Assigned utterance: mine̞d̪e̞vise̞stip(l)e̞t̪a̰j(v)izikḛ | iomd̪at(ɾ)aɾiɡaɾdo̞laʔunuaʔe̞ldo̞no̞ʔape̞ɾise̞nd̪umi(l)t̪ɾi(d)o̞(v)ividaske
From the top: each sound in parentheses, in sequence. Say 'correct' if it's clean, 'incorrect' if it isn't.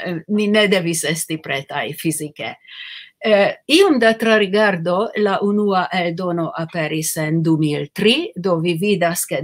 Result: incorrect: ɾ, incorrect: f, correct, correct, correct, correct

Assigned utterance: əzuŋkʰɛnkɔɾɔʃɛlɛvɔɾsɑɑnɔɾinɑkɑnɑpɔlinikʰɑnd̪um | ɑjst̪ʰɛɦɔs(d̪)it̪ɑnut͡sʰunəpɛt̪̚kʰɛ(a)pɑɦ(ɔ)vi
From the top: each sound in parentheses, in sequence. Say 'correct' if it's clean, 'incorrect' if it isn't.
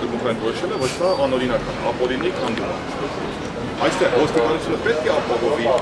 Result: incorrect: t̪, incorrect: ɑ, correct

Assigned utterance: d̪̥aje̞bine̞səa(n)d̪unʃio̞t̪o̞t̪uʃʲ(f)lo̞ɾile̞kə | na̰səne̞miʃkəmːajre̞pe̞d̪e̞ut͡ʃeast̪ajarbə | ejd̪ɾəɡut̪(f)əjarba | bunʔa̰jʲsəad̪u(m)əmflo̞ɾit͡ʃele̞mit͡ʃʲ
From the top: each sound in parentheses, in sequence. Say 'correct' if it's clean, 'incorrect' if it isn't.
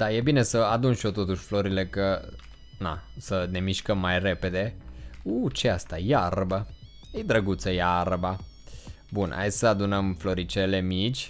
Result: incorrect: none, correct, incorrect: s, incorrect: n

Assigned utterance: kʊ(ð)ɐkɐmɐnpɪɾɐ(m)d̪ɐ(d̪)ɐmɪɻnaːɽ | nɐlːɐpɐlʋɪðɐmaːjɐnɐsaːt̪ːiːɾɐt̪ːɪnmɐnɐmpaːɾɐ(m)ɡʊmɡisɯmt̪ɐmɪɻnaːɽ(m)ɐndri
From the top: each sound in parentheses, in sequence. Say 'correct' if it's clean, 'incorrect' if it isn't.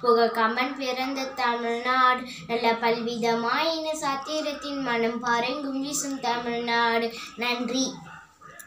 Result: incorrect: ɣ, incorrect: n, incorrect: t̪, incorrect: ŋ, incorrect: n

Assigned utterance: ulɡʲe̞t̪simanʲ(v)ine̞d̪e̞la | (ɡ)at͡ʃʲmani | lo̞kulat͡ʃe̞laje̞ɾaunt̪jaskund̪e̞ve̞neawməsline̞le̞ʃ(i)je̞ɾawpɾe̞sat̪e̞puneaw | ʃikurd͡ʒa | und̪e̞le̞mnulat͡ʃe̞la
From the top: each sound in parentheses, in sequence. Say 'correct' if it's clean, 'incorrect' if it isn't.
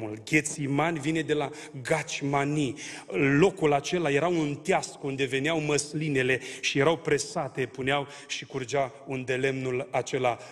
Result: correct, correct, correct

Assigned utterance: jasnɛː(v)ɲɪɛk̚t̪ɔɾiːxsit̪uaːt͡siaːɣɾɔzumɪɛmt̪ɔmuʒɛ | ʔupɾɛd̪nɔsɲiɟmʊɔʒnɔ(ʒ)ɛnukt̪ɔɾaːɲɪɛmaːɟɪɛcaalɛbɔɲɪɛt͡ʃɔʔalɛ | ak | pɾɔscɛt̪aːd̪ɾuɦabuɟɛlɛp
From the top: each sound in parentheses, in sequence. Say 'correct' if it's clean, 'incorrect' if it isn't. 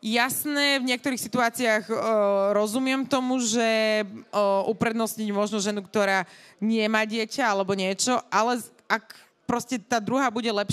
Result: correct, correct

